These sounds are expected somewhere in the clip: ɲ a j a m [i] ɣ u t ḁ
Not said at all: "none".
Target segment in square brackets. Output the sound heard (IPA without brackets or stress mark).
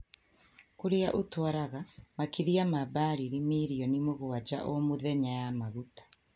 a